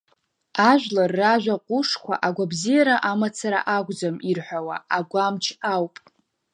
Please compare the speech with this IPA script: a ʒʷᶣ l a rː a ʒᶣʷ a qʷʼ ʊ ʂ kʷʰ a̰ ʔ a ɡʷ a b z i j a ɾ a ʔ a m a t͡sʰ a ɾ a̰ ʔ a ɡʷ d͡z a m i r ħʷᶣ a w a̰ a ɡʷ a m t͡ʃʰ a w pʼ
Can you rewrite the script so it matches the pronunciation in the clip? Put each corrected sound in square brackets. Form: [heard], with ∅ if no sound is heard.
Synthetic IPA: a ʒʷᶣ l a rː a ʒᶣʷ a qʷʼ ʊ ʂ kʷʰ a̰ ʔ a ɡʷ a b z i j a ɾ a ʔ a m a t͡sʰ a ɾ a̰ ʔ a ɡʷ d͡z a m i r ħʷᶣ a w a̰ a ɡʷ a m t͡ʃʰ a w pʼ